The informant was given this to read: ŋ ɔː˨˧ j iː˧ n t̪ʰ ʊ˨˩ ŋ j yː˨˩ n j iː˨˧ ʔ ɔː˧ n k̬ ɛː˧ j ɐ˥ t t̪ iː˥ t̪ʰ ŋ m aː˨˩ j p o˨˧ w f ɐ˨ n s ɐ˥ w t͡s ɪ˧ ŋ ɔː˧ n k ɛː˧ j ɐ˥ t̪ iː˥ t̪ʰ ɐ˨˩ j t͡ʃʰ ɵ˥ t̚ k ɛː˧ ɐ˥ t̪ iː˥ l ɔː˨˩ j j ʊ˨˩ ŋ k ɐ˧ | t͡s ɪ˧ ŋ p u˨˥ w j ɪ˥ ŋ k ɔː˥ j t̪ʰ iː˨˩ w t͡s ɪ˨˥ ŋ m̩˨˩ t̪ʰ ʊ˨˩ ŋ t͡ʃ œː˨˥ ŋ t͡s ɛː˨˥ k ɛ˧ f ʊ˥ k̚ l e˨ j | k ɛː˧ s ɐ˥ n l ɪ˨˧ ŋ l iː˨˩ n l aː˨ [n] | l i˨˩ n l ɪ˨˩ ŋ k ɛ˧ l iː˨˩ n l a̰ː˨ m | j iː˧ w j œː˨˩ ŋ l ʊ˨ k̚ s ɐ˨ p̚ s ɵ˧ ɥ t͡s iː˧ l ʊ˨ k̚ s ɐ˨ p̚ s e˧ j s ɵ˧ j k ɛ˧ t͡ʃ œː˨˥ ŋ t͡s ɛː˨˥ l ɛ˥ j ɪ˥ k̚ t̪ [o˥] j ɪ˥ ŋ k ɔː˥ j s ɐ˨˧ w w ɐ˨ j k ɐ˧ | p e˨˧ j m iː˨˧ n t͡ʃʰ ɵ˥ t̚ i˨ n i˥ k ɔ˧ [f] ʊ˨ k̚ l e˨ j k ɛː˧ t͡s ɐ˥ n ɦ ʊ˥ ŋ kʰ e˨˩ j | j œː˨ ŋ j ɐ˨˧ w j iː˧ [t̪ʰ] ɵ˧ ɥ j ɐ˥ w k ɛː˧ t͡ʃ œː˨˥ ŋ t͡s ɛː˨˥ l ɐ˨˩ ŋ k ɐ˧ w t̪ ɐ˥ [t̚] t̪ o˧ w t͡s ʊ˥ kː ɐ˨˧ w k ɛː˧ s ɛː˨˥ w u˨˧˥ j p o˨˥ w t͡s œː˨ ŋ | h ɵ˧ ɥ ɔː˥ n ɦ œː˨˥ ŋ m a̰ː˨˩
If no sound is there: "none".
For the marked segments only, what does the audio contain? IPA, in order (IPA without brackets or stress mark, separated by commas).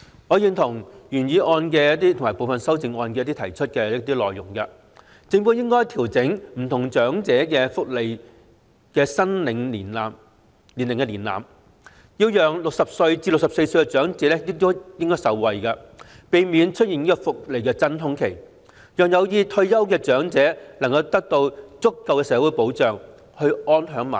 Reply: m, o˥, f, t̪ʰ, k̚